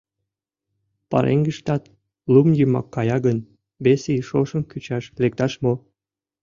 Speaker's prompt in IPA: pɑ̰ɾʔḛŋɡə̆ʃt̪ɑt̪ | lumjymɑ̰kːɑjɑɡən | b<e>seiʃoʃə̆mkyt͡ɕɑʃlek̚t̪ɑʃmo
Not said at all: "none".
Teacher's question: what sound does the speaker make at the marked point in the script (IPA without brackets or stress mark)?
e